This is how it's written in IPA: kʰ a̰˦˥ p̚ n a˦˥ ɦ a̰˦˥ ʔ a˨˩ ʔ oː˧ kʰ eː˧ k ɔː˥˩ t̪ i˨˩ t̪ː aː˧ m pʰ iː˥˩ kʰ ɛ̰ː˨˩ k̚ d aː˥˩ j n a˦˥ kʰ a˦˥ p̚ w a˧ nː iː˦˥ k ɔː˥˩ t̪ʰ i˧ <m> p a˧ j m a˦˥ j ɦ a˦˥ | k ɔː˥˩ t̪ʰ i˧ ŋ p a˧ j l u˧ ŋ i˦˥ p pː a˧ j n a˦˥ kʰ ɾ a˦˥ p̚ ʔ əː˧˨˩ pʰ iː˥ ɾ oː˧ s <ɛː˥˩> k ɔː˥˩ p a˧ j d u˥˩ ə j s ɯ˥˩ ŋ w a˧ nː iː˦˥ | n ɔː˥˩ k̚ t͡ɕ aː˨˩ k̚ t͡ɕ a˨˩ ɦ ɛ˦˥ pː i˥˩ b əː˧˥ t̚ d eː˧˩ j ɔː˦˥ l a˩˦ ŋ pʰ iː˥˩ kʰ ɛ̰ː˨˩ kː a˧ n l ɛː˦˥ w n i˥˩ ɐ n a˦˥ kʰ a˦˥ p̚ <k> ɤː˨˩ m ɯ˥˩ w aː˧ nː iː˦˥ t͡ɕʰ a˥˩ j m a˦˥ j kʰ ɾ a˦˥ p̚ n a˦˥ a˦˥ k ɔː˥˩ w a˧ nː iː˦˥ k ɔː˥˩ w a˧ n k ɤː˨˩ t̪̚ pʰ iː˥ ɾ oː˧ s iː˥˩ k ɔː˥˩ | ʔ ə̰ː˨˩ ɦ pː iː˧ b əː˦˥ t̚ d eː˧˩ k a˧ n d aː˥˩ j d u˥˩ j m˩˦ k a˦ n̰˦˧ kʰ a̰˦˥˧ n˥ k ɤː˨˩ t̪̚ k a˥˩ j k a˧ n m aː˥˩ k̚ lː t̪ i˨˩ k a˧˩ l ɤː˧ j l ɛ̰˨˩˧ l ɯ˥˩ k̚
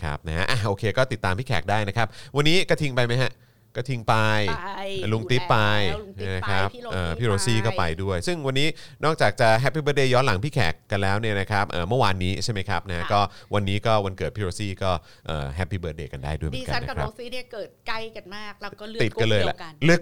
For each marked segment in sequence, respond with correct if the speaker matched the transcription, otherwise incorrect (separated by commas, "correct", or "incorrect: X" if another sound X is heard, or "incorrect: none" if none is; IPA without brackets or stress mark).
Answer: incorrect: ŋ, incorrect: iː˥˩, incorrect: ʔ